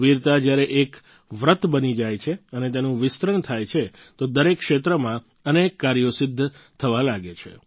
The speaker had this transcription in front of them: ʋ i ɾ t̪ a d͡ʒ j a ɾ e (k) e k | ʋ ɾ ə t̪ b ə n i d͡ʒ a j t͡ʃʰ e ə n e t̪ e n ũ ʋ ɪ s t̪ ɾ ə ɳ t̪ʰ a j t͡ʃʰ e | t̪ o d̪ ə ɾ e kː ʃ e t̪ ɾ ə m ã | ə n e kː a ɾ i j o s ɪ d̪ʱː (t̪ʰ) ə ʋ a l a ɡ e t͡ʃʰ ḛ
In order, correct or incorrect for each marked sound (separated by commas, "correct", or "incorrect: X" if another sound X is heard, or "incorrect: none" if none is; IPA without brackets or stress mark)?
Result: incorrect: ʔ, correct